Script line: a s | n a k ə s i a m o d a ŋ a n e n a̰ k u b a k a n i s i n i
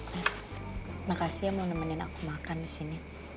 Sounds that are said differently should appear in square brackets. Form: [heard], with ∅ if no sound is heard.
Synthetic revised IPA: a s | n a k [a] s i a m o [n] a [m] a n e n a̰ k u [m] a k a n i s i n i